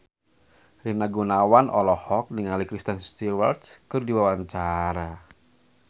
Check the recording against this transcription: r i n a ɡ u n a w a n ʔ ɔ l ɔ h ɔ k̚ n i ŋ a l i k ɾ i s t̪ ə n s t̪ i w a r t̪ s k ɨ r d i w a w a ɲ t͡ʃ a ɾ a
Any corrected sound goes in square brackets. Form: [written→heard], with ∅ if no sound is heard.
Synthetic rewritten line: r i n a ɡ u n a w a n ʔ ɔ l ɔ h ɔ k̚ n i ŋ a l i k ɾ i s t̪ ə n s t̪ i w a r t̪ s k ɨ r d i w a w a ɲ t͡ʃ a ɾ a